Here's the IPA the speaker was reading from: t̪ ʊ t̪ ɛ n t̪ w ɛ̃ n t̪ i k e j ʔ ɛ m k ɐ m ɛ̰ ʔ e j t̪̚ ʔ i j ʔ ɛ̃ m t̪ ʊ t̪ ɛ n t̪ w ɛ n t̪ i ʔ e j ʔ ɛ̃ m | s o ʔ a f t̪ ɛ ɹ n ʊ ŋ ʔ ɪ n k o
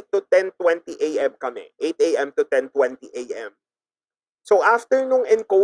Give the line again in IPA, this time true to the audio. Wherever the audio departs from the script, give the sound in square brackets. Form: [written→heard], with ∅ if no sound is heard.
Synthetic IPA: t̪ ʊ t̪ ɛ n t̪ w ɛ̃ n t̪ i [k→ʔ] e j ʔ ɛ m k ɐ m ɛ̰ ʔ e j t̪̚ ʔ [i→e] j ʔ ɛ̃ m t̪ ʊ t̪ ɛ n t̪ w ɛ n t̪ i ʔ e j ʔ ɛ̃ m | s o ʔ a f t̪ ɛ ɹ n ʊ ŋ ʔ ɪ n k o